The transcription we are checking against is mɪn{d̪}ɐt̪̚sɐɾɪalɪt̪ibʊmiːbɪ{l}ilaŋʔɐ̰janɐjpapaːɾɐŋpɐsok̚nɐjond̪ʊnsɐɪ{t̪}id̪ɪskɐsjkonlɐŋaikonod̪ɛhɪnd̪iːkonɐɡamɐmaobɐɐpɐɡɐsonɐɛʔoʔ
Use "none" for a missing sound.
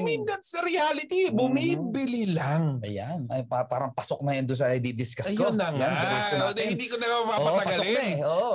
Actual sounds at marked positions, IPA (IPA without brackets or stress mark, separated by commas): d̪, l, d̪